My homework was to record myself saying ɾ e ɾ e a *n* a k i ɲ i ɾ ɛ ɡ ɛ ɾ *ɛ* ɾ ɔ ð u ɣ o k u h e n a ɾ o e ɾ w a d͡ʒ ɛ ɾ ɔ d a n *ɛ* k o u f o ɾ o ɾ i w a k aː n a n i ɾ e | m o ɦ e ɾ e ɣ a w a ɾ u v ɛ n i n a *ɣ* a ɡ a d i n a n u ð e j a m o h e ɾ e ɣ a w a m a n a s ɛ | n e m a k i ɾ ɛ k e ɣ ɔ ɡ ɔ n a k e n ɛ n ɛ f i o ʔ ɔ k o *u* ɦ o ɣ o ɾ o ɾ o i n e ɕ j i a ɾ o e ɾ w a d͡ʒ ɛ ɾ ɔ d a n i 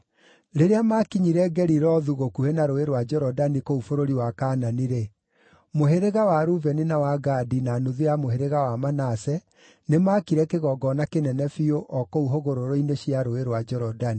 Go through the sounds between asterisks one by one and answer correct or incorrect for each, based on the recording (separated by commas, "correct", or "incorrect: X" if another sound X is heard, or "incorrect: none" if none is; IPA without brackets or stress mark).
incorrect: m, incorrect: i, incorrect: i, incorrect: w, correct